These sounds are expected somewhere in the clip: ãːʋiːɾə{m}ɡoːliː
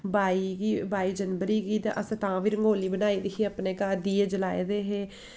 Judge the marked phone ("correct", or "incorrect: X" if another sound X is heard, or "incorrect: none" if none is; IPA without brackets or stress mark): incorrect: ŋ